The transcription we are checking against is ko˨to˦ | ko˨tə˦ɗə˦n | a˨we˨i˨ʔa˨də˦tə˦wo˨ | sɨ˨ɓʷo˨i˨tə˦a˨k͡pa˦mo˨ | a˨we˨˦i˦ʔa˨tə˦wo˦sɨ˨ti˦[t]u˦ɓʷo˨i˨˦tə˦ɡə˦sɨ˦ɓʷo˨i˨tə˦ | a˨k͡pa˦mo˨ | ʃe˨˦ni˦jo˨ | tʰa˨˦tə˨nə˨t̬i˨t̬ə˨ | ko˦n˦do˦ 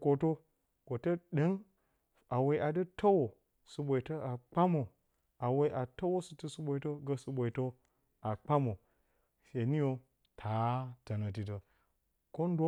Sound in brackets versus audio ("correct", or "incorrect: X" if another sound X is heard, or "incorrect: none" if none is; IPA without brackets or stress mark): incorrect: s